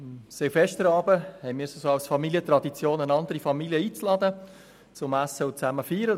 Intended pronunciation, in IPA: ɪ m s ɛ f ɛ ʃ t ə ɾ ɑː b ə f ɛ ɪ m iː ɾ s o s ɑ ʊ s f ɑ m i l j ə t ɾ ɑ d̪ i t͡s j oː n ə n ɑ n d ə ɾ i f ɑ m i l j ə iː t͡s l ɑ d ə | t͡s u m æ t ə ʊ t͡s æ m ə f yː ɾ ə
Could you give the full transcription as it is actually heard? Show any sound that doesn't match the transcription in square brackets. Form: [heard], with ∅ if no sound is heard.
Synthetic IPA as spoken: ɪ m s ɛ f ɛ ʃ t ə ɾ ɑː b ə [h] ɛ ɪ m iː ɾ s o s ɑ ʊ s f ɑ m i l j ə t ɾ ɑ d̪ i t͡s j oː n ə n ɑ n d ə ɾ i f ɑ m i l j ə iː t͡s l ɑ d ə | t͡s [ʊ] m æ [s] ə ʊ t͡s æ m ə f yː ɾ ə